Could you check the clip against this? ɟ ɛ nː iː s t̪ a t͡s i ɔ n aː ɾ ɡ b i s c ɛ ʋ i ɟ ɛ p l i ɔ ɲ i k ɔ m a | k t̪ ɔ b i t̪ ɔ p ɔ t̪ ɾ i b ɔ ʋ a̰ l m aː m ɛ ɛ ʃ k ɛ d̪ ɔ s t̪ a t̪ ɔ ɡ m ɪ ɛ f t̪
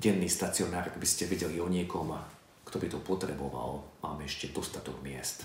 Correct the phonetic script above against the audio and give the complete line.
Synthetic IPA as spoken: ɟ ɛ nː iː s t̪ a t͡s i ɔ n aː ɾ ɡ b i s c ɛ ʋ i ɟ ɛ l i ɔ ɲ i k ɔ m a | k t̪ ɔ b i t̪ ɔ p ɔ t̪ ɾ ɛ b ɔ ʋ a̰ l m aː m ɛ ɛ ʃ c ɛ d̪ ɔ s t̪ a t̪ ɔ ɡ m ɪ ɛ s t̪